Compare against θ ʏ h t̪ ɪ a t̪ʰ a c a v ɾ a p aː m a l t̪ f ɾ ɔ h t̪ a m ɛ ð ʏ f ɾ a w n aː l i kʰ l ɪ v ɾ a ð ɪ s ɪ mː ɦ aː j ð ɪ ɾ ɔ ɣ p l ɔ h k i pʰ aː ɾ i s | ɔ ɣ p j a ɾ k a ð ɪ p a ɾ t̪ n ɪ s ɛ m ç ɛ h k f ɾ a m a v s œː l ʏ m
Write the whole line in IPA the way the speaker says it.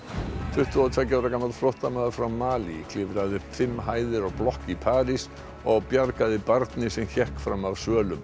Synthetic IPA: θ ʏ h t̪ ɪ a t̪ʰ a c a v ɾ a k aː m a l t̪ f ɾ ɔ h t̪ a m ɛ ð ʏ f ɾ a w m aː l i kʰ l ɪ v ɾ a ð ɪ f ɪ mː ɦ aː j ð ɪ ɾ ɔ ɣ p l ɔ h k i pʰ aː ɾ i s | ɔ ɣ p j a ɾ k a ð ɪ p a ɾ t̪ n ɪ s ɛ m ç ɛ h k f ɾ a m a v s œː l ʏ m